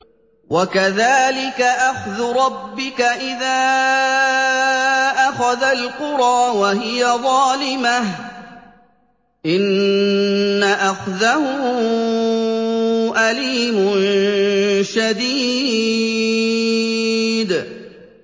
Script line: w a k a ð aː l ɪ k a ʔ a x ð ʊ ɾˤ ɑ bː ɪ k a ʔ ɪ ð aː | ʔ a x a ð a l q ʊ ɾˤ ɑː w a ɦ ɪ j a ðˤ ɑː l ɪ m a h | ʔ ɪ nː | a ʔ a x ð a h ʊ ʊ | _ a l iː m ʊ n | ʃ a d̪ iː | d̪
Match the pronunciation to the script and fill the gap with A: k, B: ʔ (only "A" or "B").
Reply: B